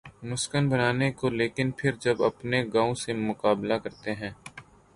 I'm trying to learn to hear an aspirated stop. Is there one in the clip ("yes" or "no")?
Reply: yes